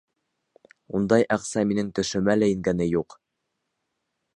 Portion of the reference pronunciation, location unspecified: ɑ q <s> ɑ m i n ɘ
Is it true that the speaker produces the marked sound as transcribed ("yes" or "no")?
yes